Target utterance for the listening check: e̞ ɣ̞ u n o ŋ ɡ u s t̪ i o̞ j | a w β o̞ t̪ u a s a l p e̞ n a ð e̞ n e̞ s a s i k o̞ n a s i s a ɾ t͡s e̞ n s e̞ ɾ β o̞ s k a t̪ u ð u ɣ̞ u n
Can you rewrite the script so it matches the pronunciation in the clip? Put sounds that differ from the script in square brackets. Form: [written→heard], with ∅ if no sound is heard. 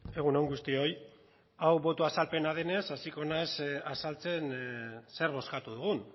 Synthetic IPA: e̞ ɣ̞ u n o ŋ ɡ u s t̪ i o̞ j | a w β o̞ t̪ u a s a l p e̞ n a ð e̞ n e̞ s a s i k o̞ n a s [i→a] s a [ɾ→l] t͡s e̞ n s e̞ ɾ β o̞ s k a t̪ u ð u ɣ̞ u n